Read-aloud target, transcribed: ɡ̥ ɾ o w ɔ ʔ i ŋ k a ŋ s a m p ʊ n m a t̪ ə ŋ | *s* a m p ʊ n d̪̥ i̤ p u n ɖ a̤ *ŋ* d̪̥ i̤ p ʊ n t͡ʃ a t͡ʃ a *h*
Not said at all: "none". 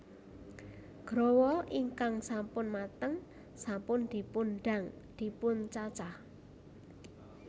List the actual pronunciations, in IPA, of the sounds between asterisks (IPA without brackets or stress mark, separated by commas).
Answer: s, ŋ, h